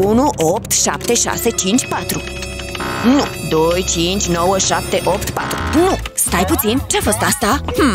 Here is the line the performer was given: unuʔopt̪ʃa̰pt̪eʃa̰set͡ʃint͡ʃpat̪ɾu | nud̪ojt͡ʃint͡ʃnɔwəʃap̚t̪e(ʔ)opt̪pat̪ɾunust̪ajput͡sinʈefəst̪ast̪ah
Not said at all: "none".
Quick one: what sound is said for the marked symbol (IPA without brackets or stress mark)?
ʔ